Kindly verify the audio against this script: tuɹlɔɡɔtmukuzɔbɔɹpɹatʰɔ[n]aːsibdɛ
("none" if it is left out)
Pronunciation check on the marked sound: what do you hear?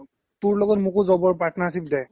n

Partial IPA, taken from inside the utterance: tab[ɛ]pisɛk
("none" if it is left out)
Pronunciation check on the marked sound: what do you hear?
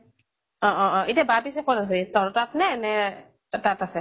a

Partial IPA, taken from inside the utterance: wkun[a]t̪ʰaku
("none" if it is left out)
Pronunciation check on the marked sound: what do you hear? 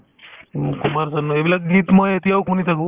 i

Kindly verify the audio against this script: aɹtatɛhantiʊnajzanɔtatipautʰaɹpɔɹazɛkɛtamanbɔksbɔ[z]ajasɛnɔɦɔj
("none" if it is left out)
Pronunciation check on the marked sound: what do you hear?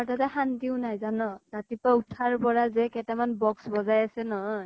z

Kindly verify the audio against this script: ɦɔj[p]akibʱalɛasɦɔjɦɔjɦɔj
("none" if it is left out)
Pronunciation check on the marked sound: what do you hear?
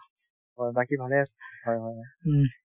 b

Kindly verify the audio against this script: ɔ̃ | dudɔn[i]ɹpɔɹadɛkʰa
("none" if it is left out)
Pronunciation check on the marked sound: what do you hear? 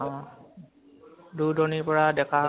i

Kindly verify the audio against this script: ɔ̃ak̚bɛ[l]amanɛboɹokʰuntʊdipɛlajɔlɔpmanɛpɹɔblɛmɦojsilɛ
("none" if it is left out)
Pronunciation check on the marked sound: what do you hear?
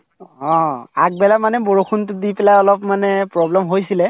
l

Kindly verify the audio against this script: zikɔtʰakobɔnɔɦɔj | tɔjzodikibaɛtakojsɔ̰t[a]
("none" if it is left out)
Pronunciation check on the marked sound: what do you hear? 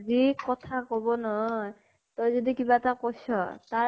a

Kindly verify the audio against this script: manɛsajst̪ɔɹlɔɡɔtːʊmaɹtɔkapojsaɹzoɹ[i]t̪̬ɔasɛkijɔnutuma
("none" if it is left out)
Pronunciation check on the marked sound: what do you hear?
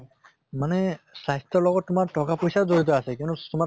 i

